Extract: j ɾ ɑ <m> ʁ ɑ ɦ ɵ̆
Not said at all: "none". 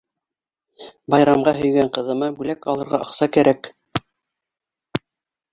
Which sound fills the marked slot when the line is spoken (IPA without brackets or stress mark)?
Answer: m